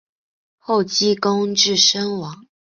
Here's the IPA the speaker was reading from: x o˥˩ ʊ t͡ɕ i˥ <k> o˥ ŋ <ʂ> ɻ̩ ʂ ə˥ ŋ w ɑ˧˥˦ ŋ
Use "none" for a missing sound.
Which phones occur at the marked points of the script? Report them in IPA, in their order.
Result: k, ʈ͡ʂ

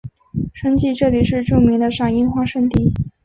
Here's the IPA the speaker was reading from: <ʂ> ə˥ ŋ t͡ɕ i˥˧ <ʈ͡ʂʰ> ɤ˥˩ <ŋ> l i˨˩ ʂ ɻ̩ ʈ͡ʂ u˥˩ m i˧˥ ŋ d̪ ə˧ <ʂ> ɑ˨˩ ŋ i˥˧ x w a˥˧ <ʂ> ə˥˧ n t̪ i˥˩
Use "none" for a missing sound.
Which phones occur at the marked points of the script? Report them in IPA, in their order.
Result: ʂ, ʈ͡ʂ, none, ʂ, ʂ

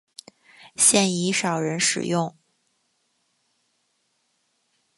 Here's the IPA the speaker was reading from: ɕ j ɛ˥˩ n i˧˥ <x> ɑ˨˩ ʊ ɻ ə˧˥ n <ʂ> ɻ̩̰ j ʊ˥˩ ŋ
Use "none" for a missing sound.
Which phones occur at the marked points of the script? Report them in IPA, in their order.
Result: ʂ, ʂ

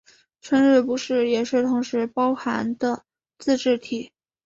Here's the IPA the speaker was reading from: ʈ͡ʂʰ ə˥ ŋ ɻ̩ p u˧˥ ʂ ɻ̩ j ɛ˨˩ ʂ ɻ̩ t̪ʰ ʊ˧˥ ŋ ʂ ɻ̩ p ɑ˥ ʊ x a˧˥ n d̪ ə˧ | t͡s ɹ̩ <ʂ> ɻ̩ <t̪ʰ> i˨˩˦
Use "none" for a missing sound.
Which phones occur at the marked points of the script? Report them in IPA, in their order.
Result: ʈ͡ʂ, t̪ʰ

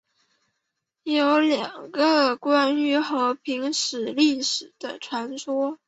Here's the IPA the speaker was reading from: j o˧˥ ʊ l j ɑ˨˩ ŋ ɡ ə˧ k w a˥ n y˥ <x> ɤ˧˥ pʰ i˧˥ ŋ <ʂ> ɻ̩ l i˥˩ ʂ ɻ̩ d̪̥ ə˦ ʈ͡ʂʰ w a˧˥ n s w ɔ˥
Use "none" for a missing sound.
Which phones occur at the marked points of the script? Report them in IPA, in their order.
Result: x, ʂ

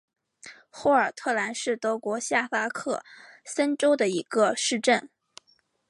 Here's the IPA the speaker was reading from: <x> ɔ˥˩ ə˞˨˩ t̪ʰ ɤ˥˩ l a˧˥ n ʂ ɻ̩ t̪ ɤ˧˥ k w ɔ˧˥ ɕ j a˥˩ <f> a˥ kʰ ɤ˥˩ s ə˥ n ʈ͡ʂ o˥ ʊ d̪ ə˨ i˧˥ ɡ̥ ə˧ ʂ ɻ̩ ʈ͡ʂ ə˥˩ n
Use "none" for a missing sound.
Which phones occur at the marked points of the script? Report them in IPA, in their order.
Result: x, f

